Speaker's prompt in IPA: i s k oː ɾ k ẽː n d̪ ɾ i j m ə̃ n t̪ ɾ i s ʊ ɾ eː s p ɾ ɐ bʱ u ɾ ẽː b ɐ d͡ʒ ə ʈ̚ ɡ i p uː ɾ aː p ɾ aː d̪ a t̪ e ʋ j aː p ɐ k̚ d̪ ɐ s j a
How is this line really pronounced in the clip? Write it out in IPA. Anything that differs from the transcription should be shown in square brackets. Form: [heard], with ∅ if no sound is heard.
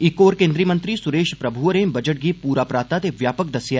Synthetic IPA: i [∅] k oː ɾ k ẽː n d̪ ɾ i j m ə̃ n t̪ ɾ i s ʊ ɾ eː [ʃ] p ɾ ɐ bʱ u ɾ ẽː b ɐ d͡ʒ ə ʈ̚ ɡ i p uː ɾ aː p ɾ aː [t̪] a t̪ e ʋ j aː p [ə] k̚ d̪ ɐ s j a